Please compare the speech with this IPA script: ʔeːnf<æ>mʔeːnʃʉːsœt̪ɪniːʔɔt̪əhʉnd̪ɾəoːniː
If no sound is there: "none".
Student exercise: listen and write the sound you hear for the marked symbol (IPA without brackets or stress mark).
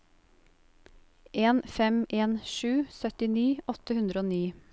ɛ